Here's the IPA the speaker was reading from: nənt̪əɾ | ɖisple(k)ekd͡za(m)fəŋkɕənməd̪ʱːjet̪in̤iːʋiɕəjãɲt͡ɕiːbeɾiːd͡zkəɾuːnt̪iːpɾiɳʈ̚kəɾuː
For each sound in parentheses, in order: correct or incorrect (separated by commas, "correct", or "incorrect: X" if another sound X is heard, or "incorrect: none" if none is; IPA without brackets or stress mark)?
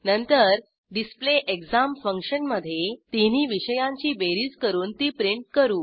incorrect: ʔ, correct